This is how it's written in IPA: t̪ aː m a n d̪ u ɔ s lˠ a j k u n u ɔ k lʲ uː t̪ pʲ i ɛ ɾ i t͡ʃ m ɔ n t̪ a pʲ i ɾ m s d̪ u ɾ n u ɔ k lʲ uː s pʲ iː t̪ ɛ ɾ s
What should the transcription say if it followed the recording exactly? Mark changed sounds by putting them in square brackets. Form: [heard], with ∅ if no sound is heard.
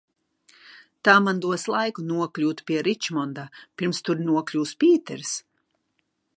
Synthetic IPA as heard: t̪ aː m a n d̪ u ɔ s lˠ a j k u n u ɔ k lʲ uː t̪ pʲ i ɛ ɾ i t͡ʃ m ɔ n [d̪] a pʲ i ɾ m s [t̪] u ɾ n u ɔ k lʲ uː s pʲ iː t̪ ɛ ɾ s